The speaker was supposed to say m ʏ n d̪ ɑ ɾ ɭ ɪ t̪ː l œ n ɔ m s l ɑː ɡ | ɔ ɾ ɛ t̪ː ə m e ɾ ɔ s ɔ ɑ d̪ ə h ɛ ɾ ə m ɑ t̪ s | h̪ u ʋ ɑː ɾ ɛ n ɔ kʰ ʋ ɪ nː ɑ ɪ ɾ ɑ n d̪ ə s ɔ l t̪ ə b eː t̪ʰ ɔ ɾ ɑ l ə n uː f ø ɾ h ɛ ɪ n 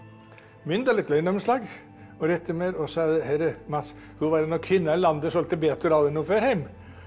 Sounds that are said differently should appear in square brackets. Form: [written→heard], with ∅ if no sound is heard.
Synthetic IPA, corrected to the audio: m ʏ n d̪ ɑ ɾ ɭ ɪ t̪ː l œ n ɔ m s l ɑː ɡ | ɔ ɾ ɛ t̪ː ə m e ɾ ɔ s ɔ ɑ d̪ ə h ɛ ɾ ə m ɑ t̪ s | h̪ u ʋ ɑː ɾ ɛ n ɔ kʰ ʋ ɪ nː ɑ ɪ [ɾ→l] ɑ n d̪ ə s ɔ l t̪ ə b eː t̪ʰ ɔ ɾ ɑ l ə n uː f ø ɾ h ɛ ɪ [n→m]

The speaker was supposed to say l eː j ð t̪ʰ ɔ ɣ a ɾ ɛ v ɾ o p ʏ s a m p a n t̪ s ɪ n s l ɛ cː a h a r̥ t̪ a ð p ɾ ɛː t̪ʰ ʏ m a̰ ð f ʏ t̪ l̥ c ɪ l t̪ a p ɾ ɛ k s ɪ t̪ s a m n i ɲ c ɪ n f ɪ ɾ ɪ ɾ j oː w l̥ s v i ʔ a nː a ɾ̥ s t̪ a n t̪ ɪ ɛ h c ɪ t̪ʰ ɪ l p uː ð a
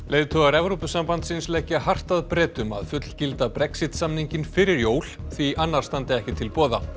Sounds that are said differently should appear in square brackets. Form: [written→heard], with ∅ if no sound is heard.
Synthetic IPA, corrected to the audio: l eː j ð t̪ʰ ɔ ɣ a ɾ ɛ v ɾ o p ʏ s a m p a n t̪ s ɪ n s l ɛ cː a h a r̥ t̪ a ð p ɾ ɛː [t̪ʰ→t̪] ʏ m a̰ ð f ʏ t̪ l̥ c ɪ l t̪ a p ɾ ɛ k s ɪ t̪ s a m n i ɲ c ɪ n f ɪ ɾ ɪ ɾ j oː w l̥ [s→θ] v i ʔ a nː a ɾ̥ s t̪ a n t̪ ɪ ɛ h c ɪ t̪ʰ ɪ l p [uː→ɔː] ð a

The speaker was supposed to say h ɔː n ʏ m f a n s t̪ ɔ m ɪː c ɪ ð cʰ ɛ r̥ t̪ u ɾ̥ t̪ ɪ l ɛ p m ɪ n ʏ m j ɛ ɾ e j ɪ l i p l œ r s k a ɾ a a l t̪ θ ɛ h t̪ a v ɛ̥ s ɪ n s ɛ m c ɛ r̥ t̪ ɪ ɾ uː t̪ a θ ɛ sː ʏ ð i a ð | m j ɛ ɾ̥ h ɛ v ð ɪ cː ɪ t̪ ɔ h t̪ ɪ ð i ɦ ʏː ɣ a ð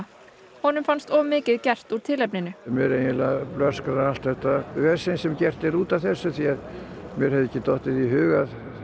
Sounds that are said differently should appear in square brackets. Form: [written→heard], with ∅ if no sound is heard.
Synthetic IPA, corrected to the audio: h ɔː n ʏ m f a n s t̪ ɔ m ɪː c ɪ ð [cʰ→c] ɛ r̥ t̪ u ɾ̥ [t̪→t̪ʰ] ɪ l ɛ p [m→n] ɪ n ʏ m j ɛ ɾ e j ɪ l [i→a] p l œ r s k a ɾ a a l t̪ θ ɛ h t̪ a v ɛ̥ s ɪ n s ɛ m c ɛ r̥ t̪ ɪ ɾ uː t̪ a θ ɛ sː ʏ [ð→θ] i a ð | m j ɛ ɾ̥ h ɛ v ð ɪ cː ɪ t̪ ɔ h t̪ ɪ ð i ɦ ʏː ɣ a ð

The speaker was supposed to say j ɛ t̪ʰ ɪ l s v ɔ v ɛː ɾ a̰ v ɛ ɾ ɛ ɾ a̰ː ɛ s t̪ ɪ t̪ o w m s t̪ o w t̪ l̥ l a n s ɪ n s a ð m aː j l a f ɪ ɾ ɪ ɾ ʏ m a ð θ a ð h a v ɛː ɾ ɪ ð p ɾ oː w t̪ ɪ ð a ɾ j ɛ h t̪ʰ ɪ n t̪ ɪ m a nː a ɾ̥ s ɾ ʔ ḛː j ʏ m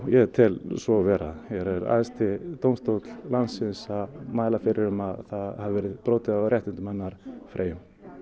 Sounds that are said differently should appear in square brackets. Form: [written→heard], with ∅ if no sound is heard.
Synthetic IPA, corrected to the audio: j ɛ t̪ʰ ɪ l s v ɔ v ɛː ɾ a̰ [v→ð] ɛ ɾ ɛ ɾ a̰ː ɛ s t̪ ɪ t̪ o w m s t̪ o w t̪ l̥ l a n s ɪ n s a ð m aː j l a f ɪ ɾ ɪ ɾ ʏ m a ð θ a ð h a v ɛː ɾ ɪ ð p ɾ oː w t̪ ɪ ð a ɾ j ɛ h [t̪ʰ→t̪] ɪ n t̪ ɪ m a nː a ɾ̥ [s→f] ɾ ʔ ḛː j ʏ m

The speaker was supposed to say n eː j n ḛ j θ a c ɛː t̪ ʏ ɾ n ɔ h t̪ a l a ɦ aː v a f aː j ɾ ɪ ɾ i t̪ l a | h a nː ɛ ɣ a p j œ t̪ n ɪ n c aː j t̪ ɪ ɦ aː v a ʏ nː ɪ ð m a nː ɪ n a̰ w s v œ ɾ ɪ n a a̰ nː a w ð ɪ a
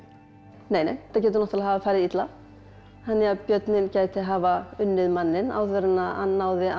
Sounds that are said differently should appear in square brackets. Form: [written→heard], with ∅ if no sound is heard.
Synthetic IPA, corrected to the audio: n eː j n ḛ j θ a c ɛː t̪ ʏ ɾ n ɔ h t̪ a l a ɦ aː v a f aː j ɾ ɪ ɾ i t̪ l a | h a nː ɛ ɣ a p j œ t̪ n ɪ n c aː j t̪ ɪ ɦ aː v a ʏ nː ɪ ð m a nː ɪ n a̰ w [s→θ] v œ ɾ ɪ n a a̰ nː a w ð ɪ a

